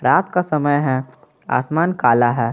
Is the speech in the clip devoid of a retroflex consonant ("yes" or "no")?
yes